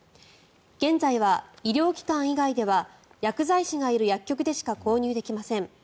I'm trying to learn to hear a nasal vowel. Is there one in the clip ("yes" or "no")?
yes